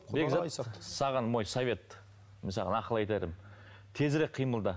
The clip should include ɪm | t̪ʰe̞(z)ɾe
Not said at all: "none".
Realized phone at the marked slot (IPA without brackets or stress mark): z